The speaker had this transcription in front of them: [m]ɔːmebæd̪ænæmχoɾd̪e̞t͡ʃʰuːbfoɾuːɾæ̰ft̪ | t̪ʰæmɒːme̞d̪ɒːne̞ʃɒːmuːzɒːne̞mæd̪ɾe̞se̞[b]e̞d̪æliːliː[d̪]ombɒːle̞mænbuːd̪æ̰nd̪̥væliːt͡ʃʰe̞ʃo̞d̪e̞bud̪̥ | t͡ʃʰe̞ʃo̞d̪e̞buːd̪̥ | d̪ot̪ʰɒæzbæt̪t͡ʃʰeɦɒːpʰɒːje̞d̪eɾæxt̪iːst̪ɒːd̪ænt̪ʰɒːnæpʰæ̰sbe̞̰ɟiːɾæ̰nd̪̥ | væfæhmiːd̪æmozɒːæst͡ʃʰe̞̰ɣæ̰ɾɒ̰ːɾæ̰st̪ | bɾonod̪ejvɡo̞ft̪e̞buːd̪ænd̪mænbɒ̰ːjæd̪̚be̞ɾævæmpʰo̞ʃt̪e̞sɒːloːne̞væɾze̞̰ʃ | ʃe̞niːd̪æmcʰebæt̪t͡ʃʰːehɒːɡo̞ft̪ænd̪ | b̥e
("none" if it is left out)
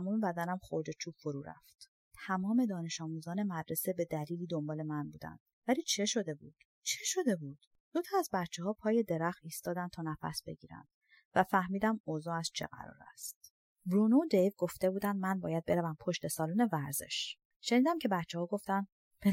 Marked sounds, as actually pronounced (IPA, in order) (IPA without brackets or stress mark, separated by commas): m, b, d̪